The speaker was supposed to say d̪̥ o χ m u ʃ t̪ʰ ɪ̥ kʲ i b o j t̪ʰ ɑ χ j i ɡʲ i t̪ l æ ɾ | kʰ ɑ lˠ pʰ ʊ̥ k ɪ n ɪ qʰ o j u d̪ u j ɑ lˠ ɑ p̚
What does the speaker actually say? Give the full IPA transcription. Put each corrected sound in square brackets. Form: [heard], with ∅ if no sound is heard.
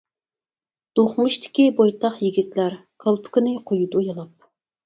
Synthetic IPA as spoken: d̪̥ o χ m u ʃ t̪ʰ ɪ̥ kʲ i b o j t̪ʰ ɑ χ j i ɡʲ i t̪ l æ ɾ | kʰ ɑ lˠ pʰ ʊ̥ k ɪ n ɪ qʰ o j u d̪ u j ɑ lˠ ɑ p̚